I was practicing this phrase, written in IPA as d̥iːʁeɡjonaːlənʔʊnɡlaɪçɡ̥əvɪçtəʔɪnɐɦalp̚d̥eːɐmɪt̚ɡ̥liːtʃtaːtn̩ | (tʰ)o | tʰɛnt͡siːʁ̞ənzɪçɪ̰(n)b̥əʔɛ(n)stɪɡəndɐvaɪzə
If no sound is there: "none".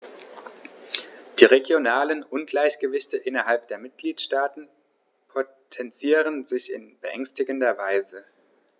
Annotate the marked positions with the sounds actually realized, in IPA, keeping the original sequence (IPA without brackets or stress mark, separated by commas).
pʰ, n, ŋ